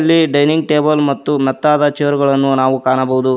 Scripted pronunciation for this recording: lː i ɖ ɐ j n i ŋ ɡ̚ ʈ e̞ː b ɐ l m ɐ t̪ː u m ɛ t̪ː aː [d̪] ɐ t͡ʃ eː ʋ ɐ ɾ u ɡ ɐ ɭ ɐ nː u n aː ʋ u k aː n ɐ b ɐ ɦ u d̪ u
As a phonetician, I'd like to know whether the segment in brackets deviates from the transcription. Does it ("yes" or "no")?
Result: no